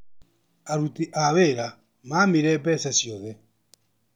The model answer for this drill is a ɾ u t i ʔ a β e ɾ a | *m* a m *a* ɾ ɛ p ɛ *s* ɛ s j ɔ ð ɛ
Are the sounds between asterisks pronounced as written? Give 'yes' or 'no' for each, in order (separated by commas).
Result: yes, no, yes